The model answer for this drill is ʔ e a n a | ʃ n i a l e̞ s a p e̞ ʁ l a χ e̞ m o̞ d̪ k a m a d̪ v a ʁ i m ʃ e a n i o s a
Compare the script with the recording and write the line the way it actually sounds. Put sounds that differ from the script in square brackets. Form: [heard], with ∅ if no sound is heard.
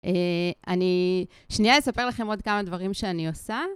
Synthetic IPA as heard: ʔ e a n [i] | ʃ n i a l e̞ s a p e̞ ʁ l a χ e̞ m o̞ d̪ k a m a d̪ v a ʁ i m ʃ e a n i o s a